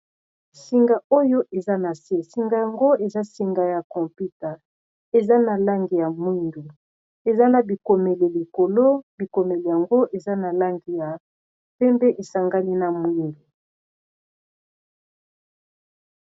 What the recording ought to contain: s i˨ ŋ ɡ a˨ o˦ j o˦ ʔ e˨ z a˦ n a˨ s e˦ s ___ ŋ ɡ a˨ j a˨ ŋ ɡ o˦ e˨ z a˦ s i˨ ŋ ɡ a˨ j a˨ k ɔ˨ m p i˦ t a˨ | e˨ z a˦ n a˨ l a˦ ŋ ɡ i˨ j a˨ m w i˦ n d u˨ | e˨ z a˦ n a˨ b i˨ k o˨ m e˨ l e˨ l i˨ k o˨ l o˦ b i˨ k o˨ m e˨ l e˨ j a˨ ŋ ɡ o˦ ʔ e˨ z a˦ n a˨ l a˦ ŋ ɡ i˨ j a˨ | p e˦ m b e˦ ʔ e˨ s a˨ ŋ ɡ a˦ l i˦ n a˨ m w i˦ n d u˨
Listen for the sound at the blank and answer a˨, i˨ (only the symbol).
i˨